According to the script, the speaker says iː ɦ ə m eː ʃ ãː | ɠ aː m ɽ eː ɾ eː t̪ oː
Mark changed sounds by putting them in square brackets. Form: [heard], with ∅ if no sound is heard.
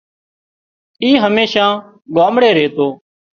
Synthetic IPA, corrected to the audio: iː ɦ ə m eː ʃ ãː | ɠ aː m ɽ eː ɾ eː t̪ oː